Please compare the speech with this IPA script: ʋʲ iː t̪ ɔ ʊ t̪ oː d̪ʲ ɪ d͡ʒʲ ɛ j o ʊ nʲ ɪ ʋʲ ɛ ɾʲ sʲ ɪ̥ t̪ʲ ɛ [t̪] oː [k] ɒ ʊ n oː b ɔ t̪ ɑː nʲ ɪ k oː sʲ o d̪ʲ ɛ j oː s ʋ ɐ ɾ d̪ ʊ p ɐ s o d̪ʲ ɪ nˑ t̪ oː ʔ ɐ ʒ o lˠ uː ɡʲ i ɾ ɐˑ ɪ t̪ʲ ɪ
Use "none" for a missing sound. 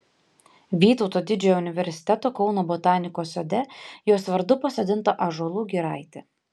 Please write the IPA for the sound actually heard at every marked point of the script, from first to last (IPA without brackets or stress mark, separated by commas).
t̪, k